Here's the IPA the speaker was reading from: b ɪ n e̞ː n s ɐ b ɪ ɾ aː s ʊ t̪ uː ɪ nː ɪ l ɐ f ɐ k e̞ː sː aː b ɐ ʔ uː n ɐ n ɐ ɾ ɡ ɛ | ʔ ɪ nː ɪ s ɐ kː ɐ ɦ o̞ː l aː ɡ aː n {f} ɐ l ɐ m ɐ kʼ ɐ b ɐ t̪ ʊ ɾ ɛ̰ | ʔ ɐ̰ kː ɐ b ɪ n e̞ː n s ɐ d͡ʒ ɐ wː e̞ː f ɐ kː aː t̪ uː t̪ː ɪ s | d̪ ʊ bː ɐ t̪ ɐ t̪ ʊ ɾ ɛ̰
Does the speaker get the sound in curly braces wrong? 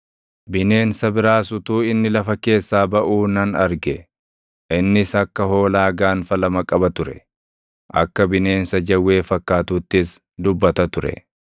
no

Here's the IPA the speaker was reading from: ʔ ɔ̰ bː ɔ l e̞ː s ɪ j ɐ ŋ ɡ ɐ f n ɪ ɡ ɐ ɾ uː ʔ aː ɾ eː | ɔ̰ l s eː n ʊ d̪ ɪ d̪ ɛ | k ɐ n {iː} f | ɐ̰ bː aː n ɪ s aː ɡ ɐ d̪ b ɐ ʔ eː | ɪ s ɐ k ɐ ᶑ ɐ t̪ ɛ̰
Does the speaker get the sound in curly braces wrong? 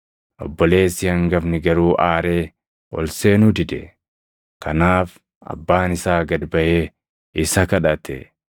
yes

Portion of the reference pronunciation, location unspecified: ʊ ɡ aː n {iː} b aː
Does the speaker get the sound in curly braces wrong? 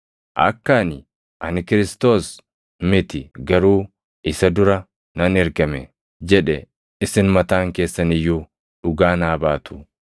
yes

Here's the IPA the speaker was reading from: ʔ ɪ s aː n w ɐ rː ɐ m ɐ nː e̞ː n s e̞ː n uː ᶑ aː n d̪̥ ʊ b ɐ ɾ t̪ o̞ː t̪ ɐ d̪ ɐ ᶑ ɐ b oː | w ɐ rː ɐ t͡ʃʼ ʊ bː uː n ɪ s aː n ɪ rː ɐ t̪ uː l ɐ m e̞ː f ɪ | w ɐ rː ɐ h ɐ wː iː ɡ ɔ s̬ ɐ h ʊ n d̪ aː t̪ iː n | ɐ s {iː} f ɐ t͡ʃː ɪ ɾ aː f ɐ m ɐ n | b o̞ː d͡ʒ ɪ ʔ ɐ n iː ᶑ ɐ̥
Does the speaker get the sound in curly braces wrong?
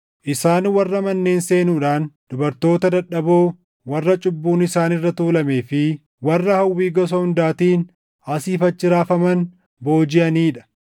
no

